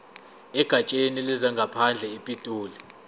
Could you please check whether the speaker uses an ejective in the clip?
yes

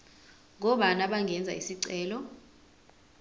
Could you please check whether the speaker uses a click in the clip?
yes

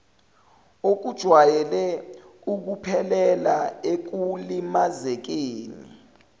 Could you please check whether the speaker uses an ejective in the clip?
no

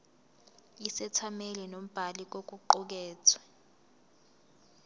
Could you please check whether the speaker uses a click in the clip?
yes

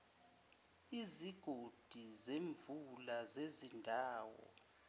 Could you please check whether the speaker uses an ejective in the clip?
no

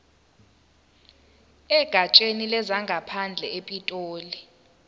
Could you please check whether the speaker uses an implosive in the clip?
no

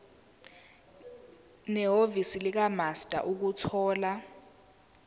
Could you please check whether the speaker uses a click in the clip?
no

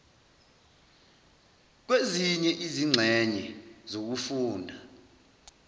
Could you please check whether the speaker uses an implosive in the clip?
no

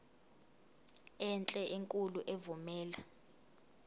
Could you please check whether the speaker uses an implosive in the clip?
no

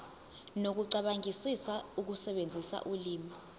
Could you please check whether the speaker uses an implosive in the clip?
yes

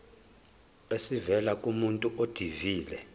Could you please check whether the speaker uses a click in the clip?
no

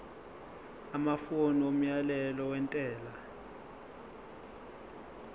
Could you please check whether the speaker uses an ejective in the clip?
yes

